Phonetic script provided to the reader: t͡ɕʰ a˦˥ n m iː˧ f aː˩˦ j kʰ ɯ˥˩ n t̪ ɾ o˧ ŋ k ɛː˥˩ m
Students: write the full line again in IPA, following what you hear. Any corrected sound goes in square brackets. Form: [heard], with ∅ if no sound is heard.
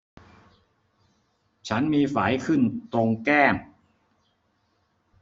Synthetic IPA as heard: t͡ɕʰ a˦˥ n m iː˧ f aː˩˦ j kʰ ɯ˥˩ n t̪ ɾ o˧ ŋ k ɛː˥˩ m